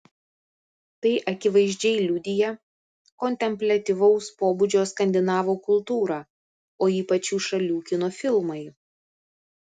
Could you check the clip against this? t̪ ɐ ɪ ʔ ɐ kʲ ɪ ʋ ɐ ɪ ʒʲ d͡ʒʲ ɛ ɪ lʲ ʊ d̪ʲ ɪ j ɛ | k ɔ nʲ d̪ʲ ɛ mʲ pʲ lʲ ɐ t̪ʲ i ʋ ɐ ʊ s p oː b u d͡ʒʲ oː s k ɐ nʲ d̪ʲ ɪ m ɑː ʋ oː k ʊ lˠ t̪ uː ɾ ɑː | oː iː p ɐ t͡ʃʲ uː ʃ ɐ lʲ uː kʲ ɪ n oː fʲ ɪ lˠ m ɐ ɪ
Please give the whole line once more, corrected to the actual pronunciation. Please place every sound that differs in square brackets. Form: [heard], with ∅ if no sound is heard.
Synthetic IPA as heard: t̪ ɐ ɪ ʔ ɐ kʲ ɪ ʋ ɐ ɪ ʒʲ d͡ʒʲ ɛ ɪ lʲ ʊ d̪ʲ ɪ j ɛ | k ɔ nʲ [t̪ʲ] ɛ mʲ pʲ lʲ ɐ t̪ʲ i ʋ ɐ ʊ s p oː b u d͡ʒʲ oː s k ɐ nʲ d̪ʲ ɪ [n] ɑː ʋ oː k ʊ lˠ t̪ uː ɾ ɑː | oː iː p ɐ t͡ʃʲ uː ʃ ɐ lʲ uː kʲ ɪ n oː fʲ ɪ lˠ m ɐ ɪ